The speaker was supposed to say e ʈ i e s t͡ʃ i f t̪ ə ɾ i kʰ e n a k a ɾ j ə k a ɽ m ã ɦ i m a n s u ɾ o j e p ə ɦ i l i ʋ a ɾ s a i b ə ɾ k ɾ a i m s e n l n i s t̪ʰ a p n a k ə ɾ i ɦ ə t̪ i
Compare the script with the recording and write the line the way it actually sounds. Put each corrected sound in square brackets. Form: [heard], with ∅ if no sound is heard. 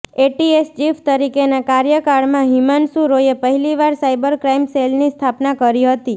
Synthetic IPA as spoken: e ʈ i e s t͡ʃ i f t̪ ə ɾ i [k] e n a k a ɾ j ə k a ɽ m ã ɦ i m a n s u ɾ o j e p ə ɦ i l i ʋ a ɾ s a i b ə ɾ k ɾ a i m s e [∅] l n i s t̪ʰ a p n a k ə ɾ i ɦ ə t̪ i